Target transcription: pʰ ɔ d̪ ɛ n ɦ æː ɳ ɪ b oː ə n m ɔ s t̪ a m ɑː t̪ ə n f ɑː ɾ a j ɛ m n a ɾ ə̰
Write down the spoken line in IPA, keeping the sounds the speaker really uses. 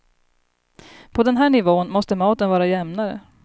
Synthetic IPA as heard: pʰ ɔ d̪ ɛ n ɦ æː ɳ ɪ v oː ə n m ɔ s t̪ ə m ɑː t̪ ə n v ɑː ɾ a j ɛ m n a ɾ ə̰